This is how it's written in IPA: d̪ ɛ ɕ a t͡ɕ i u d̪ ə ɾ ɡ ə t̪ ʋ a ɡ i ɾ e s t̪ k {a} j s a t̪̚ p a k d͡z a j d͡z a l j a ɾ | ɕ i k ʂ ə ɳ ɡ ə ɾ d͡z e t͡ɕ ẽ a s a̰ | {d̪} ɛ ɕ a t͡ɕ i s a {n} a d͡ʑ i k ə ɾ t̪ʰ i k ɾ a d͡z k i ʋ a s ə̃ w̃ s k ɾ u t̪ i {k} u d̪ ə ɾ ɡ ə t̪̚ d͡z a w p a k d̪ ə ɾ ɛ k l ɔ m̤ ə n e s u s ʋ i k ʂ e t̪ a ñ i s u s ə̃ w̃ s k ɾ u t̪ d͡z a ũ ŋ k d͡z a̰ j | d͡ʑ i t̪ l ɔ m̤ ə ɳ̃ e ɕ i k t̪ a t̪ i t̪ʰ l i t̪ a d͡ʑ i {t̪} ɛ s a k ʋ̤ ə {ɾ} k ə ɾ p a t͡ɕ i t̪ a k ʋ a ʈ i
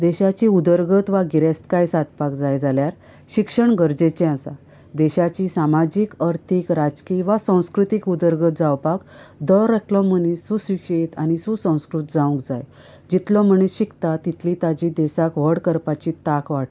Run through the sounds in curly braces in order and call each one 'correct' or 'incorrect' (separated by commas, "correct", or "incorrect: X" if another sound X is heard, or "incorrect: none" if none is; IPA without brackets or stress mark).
correct, correct, incorrect: m, correct, incorrect: d̪, incorrect: ɽ